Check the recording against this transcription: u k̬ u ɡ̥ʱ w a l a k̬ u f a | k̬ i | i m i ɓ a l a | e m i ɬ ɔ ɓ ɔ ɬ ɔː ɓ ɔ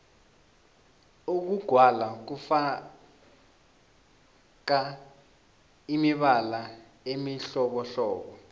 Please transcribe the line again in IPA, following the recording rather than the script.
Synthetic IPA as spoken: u k̬ u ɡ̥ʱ w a l a k̬ u f a | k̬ a | i m i ɓ a l a | e m i ɬ ɔ ɓ ɔ ɬ ɔː ɓ ɔ